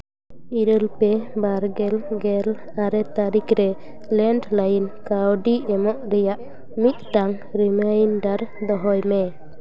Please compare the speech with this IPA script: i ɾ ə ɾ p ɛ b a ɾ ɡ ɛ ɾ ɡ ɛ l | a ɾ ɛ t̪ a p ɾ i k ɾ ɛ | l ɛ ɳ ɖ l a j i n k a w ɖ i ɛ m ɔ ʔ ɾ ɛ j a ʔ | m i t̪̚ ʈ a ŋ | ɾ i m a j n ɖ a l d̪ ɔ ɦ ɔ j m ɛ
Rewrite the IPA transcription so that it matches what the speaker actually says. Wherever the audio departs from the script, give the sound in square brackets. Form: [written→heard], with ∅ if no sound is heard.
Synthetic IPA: i ɾ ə [ɾ→l] p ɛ b a ɾ ɡ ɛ [ɾ→l] ɡ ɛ l | a ɾ ɛ t̪ a [p→∅] ɾ i k ɾ ɛ | l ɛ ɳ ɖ l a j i n k a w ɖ i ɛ m ɔ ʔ ɾ ɛ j a ʔ | m i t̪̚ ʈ a ŋ | ɾ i m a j n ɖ a [l→ɾ] d̪ ɔ ɦ ɔ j m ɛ

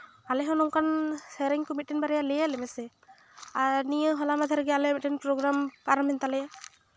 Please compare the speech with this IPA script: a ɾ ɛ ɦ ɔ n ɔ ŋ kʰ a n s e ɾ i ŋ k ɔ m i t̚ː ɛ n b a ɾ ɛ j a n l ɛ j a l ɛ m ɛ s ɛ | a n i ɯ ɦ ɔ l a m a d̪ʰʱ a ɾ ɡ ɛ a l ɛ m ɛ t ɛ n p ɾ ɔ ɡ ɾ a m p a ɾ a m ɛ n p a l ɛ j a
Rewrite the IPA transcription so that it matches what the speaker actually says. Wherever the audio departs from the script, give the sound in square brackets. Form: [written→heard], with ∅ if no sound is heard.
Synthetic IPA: a [ɾ→l] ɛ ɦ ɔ n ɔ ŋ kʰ a n s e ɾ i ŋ k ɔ m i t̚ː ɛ n b a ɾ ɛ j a [n→∅] l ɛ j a l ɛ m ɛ s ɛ | a n i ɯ ɦ ɔ l a m a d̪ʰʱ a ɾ ɡ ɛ a l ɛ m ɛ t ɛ n p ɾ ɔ ɡ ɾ a m p a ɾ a m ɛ n [p→t] a l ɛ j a

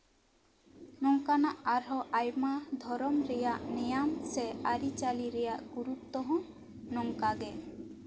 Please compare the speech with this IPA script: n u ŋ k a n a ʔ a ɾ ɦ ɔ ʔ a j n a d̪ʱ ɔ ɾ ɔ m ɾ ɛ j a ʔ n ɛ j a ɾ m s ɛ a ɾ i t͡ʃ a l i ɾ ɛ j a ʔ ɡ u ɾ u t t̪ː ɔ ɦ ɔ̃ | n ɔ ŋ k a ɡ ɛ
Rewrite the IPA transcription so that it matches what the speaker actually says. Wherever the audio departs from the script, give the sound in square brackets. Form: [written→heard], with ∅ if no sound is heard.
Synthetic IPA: n [u→ɔ] ŋ k a n a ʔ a ɾ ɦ ɔ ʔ a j [n→m] a d̪ʱ ɔ ɾ ɔ m ɾ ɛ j a ʔ n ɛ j a [ɾ→∅] m s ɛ a ɾ i t͡ʃ a l i ɾ ɛ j a ʔ ɡ u ɾ u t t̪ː ɔ ɦ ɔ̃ | n ɔ ŋ k a ɡ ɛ

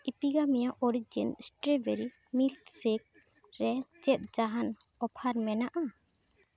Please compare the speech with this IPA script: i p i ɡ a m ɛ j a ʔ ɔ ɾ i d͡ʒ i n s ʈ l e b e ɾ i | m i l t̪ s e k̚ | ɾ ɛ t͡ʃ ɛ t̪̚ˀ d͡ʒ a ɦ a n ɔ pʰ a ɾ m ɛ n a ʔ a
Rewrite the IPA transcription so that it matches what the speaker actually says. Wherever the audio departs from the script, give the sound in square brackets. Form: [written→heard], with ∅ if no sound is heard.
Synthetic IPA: i p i ɡ a m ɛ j a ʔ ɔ ɾ i d͡ʒ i n s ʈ [l→ɾ] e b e ɾ i | m i l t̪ s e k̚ | ɾ ɛ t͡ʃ ɛ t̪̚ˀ d͡ʒ a ɦ a n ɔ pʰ a ɾ m ɛ n a ʔ a

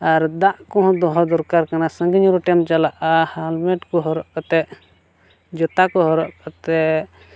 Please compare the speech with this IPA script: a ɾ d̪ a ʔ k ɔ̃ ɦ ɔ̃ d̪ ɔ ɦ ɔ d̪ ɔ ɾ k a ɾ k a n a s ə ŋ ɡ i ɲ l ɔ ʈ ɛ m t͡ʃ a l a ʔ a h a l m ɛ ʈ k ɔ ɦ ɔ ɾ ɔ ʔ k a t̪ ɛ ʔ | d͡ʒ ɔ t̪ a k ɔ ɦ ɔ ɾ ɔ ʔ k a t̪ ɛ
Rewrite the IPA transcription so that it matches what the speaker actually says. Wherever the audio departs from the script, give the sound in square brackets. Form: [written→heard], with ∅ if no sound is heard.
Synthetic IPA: a ɾ d̪ a ʔ k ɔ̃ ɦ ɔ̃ d̪ ɔ ɦ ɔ d̪ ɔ ɾ k a ɾ k a n a s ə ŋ ɡ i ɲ [l→ɾ] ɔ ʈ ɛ m t͡ʃ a l a ʔ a h a l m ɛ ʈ k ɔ ɦ ɔ ɾ ɔ ʔ k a t̪ ɛ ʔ | d͡ʒ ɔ t̪ a k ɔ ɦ ɔ ɾ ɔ ʔ k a t̪ ɛ

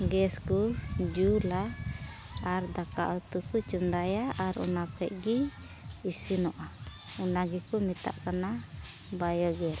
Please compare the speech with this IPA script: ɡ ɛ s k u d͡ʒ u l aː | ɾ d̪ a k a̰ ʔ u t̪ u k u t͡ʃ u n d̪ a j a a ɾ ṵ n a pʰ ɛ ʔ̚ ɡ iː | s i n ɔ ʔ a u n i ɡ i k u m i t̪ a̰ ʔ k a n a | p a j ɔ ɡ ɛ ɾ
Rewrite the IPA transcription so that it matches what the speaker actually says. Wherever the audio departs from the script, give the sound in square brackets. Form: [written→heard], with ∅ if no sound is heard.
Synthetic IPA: ɡ ɛ s k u d͡ʒ u l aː | ɾ d̪ a k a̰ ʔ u t̪ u k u t͡ʃ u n d̪ a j a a ɾ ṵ n a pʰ ɛ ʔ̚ ɡ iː | s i n ɔ ʔ a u n [i→a] ɡ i k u m i t̪ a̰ ʔ k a n a | [p→b] a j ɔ ɡ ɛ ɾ

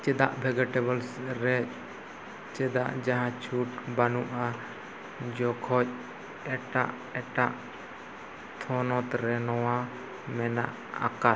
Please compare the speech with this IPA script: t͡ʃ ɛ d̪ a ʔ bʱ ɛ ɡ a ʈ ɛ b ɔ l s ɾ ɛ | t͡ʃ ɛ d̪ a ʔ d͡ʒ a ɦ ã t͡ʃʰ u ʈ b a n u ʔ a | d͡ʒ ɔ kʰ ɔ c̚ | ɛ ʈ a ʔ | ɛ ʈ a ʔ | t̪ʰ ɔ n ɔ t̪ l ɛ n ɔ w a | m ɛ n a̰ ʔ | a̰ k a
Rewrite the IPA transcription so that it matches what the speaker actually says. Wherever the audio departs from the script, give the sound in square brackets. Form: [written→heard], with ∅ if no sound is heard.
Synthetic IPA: t͡ʃ ɛ d̪ a ʔ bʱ ɛ ɡ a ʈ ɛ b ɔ l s ɾ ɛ | t͡ʃ ɛ d̪ a ʔ d͡ʒ a ɦ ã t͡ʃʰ u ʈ b a n u ʔ a | d͡ʒ ɔ kʰ ɔ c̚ | ɛ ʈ a ʔ | ɛ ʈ a ʔ | t̪ʰ ɔ n ɔ t̪ [l→ɾ] ɛ n ɔ w a | m ɛ n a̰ ʔ | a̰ k a

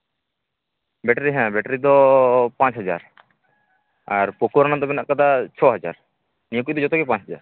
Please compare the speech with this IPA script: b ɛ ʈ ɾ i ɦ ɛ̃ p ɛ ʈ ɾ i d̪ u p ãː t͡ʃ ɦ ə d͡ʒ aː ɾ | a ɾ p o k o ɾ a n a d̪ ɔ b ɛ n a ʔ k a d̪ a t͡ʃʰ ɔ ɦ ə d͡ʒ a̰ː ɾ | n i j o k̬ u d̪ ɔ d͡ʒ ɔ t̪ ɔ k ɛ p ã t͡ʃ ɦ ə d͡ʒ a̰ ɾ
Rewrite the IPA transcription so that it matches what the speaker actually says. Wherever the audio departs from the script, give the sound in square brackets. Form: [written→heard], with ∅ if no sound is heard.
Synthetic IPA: b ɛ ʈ ɾ i ɦ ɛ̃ [p→b] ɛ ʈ ɾ i d̪ [u→ɔ] p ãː t͡ʃ ɦ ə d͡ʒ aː ɾ | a ɾ p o k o ɾ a n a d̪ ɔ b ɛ n a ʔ k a d̪ a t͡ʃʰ ɔ ɦ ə d͡ʒ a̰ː ɾ | n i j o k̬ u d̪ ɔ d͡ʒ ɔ t̪ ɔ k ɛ p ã t͡ʃ ɦ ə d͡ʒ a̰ ɾ

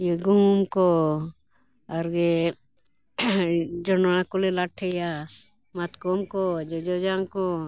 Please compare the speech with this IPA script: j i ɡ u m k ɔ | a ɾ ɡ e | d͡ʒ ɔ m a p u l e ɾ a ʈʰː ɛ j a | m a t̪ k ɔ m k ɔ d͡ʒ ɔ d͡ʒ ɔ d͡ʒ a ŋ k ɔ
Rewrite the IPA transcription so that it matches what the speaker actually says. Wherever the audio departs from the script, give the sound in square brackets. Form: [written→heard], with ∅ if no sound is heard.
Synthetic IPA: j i ɡ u m k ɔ | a ɾ ɡ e | d͡ʒ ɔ [m→n] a [p→k] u l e [ɾ→l] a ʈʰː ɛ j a | m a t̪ k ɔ m k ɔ d͡ʒ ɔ d͡ʒ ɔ d͡ʒ a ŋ k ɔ

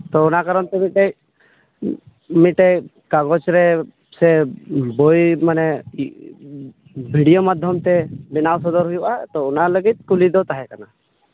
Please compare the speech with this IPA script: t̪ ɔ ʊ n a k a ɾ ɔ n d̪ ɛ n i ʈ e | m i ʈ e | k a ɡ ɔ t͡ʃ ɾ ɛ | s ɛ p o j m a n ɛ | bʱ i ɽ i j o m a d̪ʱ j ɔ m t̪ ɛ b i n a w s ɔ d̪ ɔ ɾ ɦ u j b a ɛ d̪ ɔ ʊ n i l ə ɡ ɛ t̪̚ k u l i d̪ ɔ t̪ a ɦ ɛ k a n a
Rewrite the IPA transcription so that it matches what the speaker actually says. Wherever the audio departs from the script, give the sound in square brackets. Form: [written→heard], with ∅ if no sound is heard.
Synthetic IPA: t̪ ɔ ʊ n a k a ɾ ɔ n [d̪→t̪] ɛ [n→m] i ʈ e | m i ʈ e | k a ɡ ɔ t͡ʃ ɾ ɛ | s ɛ [p→b] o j m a n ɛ | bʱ i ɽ i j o m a d̪ʱ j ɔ m t̪ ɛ b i n a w s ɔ d̪ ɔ ɾ ɦ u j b a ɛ [d̪→t̪] ɔ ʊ n [i→a] l ə ɡ [ɛ→i] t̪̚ k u l i d̪ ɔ t̪ a ɦ ɛ k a n a

